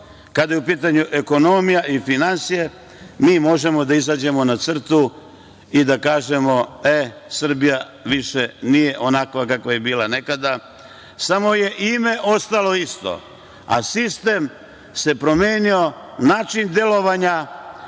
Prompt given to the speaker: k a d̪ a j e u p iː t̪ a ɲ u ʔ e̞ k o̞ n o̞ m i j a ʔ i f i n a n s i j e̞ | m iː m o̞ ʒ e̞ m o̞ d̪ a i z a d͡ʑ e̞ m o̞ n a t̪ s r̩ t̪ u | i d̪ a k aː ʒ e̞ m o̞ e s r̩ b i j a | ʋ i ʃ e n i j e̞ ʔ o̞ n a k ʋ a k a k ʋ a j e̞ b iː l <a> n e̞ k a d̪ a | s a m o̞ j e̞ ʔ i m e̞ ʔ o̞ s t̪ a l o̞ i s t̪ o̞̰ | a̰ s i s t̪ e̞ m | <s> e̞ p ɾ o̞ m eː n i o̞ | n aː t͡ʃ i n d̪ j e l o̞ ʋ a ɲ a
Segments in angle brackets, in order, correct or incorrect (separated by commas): correct, correct